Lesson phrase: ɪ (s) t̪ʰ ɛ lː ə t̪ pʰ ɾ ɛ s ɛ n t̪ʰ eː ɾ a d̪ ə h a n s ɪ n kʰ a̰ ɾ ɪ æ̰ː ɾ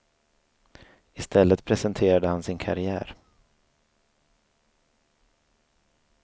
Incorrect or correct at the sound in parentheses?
correct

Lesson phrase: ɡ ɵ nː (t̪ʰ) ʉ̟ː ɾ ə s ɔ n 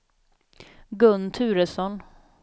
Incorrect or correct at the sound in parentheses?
correct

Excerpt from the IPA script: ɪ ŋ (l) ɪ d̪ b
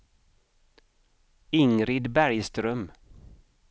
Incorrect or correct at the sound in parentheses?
incorrect: ɾ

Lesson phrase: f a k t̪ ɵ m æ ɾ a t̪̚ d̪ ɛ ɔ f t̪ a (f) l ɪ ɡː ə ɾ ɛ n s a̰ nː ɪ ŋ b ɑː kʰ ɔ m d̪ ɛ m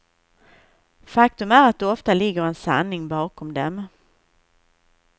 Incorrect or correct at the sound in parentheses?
incorrect: none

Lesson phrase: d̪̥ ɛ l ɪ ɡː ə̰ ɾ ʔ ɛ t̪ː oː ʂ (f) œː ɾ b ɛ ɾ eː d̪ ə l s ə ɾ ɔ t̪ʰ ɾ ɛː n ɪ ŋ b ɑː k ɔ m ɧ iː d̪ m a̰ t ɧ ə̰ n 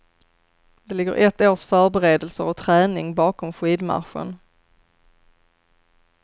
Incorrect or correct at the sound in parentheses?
correct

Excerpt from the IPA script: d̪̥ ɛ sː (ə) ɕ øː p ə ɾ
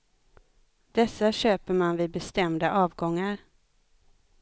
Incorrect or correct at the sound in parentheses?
incorrect: a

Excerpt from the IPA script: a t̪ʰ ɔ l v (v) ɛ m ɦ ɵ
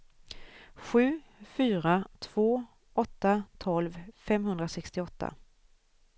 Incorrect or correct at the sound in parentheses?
incorrect: f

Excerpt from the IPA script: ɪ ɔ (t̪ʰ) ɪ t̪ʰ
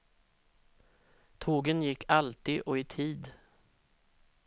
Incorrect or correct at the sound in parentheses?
incorrect: none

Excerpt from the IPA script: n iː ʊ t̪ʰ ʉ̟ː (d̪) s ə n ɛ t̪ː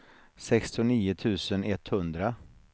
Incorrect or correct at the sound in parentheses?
incorrect: none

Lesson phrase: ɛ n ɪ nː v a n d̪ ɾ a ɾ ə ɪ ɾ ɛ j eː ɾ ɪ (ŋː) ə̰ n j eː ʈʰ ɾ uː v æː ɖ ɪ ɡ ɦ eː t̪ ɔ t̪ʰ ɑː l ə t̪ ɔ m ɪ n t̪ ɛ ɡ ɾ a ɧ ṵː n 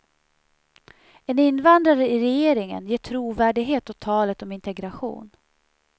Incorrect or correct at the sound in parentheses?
incorrect: ŋ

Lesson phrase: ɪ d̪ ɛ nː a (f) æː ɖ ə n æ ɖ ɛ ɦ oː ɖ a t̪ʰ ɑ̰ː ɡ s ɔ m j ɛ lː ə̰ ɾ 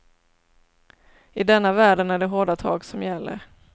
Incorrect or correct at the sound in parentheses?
incorrect: v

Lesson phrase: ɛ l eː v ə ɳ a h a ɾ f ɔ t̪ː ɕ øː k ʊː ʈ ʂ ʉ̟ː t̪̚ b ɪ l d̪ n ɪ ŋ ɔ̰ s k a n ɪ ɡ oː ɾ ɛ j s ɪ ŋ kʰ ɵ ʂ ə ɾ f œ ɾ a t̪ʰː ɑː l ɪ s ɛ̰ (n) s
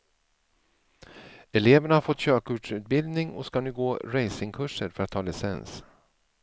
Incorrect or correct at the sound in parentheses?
correct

